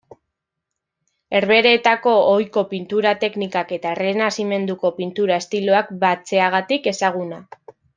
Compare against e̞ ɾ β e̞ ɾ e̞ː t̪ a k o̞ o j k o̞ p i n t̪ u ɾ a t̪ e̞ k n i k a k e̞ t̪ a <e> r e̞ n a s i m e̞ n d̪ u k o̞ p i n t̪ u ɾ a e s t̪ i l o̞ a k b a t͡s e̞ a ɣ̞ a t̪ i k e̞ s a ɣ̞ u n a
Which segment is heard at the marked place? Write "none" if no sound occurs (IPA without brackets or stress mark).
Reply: e